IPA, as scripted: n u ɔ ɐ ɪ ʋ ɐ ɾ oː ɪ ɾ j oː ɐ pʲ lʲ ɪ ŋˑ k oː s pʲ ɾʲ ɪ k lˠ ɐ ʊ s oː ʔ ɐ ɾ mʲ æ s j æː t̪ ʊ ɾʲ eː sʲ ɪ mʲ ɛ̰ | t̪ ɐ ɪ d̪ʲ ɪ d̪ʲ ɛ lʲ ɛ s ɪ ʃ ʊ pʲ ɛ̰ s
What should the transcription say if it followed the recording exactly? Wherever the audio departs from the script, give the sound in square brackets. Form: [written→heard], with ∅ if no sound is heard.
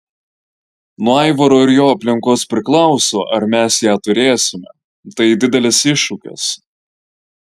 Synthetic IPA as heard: n u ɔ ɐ ɪ ʋ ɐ ɾ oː ɪ ɾ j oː ɐ pʲ lʲ ɪ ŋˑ k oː s pʲ ɾʲ ɪ k lˠ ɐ ʊ s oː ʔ ɐ ɾ mʲ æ s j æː t̪ ʊ ɾʲ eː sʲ ɪ mʲ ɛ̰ | t̪ ɐ ɪ d̪ʲ ɪ d̪ʲ ɛ lʲ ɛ s ɪ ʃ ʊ [pʲ→kʲ] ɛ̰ s